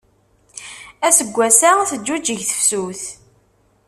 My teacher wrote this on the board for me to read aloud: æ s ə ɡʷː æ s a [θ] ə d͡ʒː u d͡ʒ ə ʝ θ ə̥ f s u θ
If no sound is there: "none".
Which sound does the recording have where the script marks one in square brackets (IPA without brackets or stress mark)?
θ